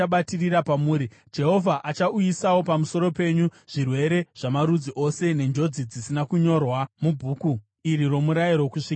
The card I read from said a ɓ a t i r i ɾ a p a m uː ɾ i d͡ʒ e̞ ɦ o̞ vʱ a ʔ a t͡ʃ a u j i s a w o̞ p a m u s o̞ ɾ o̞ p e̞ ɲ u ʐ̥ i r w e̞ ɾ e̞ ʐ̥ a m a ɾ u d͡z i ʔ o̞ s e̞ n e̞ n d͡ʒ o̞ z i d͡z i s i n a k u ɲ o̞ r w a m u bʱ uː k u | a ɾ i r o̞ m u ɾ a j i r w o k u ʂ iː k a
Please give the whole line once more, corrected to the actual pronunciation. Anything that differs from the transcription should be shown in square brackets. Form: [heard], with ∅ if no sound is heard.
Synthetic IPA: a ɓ a t i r i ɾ a p a m uː ɾ i d͡ʒ e̞ ɦ o̞ vʱ a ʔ a t͡ʃ a u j i s a w o̞ p a m u s o̞ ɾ o̞ p e̞ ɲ u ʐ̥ i r w e̞ ɾ e̞ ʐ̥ a m a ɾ u d͡z i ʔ o̞ s e̞ n e̞ n d͡ʒ o̞ [d͡z] i d͡z i s i n a k u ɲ o̞ r w a m u bʱ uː k u | [i] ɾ i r o̞ m u ɾ a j i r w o k u ʂ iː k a